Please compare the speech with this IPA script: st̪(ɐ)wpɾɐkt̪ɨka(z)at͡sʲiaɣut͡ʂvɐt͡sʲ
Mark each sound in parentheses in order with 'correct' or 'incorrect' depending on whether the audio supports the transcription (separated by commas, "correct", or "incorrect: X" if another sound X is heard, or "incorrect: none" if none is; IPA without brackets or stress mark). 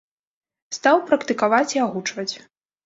incorrect: a, incorrect: v